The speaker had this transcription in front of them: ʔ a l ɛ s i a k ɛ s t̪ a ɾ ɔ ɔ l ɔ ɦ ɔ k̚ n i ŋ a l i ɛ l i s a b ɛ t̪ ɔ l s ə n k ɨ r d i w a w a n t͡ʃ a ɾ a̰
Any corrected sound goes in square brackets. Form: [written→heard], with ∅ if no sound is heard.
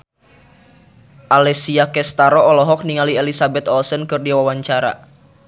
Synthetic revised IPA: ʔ a l ɛ s i a k ɛ s t̪ a ɾ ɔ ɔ l ɔ ɦ ɔ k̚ n i ŋ a l i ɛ l i s a b ɛ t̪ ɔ l s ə n k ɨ r d i w a w a [n→ɲ] t͡ʃ a ɾ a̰